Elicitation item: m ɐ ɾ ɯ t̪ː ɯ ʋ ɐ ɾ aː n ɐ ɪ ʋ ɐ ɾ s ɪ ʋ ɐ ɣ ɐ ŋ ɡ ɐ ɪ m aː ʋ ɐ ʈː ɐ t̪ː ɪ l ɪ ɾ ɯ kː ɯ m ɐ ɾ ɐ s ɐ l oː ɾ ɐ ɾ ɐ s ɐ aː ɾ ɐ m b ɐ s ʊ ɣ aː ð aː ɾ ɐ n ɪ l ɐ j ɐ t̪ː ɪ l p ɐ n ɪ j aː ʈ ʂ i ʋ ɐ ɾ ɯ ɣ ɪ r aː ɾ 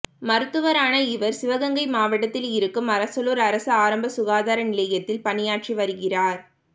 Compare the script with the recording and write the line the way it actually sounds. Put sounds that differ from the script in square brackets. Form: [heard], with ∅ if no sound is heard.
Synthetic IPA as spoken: m ɐ ɾ ɯ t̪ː ɯ ʋ ɐ ɾ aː n ɐ ɪ ʋ ɐ ɾ s ɪ ʋ ɐ ɣ ɐ ŋ ɡ ɐ ɪ m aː ʋ ɐ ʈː ɐ t̪ː ɪ l ɪ ɾ ɯ kː ɯ m ɐ ɾ ɐ s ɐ l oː ɾ ɐ ɾ ɐ s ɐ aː ɾ ɐ m b ɐ s ʊ ɣ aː ð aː ɾ ɐ n ɪ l ɐ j ɐ t̪ː ɪ l p ɐ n ɪ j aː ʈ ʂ i ʋ ɐ ɾ ɯ ɣ ɪ r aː ɾ